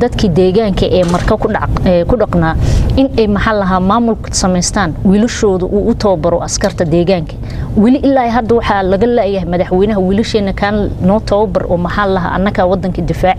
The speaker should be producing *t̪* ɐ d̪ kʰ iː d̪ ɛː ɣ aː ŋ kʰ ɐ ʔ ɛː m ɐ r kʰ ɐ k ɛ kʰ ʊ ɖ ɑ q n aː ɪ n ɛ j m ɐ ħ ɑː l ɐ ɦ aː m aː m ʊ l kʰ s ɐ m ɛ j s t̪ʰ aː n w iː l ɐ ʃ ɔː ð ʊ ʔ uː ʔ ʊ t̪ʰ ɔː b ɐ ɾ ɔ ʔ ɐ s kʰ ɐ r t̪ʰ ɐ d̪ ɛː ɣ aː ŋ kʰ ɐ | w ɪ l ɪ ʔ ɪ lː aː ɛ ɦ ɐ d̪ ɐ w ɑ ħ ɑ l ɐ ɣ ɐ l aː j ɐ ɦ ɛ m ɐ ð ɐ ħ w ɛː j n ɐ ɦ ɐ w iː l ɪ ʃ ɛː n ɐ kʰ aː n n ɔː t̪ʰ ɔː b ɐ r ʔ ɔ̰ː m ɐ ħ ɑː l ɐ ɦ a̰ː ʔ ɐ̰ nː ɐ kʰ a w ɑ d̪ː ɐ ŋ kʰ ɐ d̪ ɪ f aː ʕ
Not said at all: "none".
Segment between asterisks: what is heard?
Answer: d̪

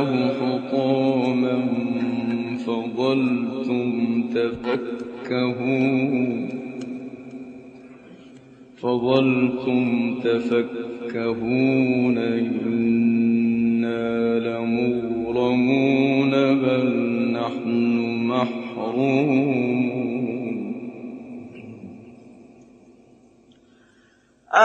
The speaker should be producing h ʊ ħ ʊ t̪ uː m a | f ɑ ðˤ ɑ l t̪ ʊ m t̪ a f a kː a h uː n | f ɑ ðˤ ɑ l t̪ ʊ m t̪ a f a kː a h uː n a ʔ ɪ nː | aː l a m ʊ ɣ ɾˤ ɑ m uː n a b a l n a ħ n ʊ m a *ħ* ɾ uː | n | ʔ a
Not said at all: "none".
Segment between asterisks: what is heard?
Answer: ħ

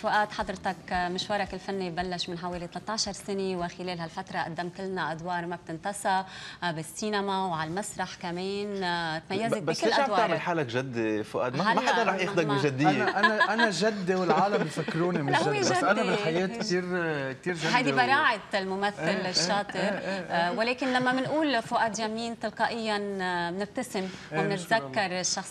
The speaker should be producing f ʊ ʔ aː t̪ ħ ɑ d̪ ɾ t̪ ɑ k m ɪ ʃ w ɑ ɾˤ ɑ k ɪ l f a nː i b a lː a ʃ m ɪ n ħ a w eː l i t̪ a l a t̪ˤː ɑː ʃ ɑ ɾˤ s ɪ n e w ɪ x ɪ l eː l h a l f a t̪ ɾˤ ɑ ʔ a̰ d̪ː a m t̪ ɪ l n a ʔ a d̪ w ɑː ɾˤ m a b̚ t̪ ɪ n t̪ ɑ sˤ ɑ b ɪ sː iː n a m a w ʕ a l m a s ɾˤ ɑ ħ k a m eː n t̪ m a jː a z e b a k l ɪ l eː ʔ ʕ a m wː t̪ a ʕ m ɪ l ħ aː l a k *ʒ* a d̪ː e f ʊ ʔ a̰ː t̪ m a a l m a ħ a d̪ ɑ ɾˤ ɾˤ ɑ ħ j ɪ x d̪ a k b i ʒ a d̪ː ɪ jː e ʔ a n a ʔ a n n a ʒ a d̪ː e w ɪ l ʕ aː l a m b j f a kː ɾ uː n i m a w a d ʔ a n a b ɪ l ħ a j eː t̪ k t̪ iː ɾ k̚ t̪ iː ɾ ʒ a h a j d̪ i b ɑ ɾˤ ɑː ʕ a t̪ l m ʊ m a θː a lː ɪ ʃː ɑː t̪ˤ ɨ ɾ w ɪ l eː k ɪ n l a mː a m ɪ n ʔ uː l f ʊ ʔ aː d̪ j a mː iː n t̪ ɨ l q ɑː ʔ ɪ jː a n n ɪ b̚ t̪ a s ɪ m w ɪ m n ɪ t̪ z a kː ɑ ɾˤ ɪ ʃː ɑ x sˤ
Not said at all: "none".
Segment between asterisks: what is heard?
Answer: ʒ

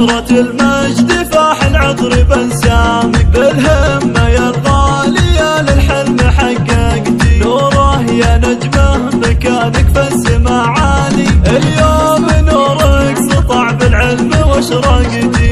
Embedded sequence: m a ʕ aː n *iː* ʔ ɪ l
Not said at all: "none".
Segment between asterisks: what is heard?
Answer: i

